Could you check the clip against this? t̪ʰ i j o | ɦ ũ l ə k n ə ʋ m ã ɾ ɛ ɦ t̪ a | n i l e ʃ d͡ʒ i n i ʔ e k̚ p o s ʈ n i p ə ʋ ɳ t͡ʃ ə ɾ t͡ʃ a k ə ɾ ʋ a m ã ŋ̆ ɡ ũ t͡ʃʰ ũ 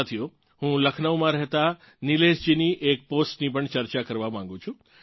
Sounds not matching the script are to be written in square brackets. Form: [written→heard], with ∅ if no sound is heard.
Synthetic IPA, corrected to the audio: t̪ʰ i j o | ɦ ũ l ə [k→kʰ] n ə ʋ m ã ɾ ɛ ɦ t̪ a | n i l e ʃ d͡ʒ i n i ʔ e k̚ p o s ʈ n i p ə [ʋ→∅] ɳ t͡ʃ ə ɾ t͡ʃ a k ə ɾ ʋ a m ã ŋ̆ ɡ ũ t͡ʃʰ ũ